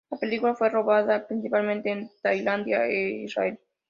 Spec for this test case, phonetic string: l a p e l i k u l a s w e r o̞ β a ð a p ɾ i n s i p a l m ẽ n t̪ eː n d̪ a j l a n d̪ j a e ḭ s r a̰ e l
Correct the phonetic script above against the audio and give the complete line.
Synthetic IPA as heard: l a p e l i k u l a f w e r o̞ β a ð a p ɾ i n s i p a l m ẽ n t̪ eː n t̪ a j l a n d̪ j a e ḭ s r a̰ e l